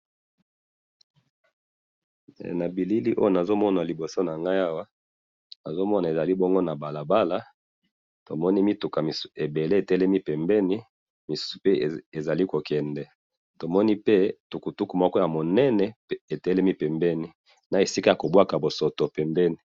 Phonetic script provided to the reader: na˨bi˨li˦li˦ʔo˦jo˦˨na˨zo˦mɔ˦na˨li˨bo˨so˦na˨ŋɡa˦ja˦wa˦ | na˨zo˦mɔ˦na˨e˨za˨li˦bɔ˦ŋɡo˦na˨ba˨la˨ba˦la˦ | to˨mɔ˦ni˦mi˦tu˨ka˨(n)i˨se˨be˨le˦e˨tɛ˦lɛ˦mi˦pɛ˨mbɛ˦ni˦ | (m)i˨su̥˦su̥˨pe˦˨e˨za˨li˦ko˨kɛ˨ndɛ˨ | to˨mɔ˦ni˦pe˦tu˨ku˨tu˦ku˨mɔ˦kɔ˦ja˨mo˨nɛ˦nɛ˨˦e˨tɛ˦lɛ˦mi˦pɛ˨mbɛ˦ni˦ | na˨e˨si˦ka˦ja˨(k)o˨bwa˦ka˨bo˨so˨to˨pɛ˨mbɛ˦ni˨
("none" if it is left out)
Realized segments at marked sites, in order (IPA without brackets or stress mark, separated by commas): m, m, k